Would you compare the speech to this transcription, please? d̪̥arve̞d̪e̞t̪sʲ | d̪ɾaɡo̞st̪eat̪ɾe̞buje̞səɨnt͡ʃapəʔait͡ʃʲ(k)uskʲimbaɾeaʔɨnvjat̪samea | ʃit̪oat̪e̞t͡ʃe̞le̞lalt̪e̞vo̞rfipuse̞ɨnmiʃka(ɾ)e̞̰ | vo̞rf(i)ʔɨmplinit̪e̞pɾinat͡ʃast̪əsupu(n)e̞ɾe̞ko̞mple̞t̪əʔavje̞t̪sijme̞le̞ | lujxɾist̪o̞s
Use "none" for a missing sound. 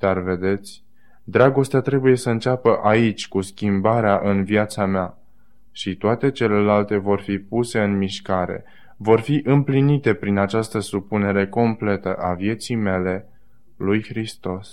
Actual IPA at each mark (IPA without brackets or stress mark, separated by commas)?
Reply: k, ɾ, i, n